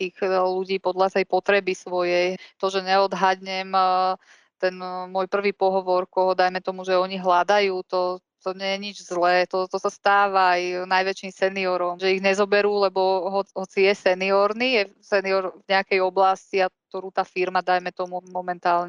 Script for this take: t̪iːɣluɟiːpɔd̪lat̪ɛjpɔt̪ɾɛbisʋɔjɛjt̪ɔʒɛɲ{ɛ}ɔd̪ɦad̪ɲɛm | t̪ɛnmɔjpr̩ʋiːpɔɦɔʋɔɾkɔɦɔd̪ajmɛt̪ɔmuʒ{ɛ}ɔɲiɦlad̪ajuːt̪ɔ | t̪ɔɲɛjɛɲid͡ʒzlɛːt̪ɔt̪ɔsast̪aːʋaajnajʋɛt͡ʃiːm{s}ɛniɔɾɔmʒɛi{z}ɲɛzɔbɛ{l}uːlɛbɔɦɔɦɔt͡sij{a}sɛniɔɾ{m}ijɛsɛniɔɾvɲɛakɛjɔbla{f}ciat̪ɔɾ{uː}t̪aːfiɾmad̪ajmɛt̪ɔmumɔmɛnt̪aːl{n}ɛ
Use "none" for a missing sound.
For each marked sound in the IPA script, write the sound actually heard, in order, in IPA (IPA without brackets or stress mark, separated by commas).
ɛ, ɛ, s, ɣ, ɾ, ɛ, n, s, uː, ɲ